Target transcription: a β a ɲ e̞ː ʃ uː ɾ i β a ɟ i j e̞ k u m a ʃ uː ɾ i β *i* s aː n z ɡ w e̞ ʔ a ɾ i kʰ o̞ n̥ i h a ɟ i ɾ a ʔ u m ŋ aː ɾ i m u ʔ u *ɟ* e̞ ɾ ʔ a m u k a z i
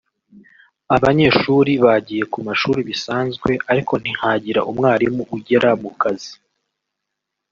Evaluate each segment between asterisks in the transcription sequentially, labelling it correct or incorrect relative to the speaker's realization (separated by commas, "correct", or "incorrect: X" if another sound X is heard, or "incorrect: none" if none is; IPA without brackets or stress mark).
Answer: correct, correct